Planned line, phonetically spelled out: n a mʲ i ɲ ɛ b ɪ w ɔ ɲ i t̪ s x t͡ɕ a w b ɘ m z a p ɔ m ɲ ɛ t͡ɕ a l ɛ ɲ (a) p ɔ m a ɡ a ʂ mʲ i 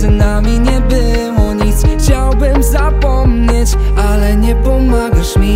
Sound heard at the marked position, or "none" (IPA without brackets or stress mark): ɛ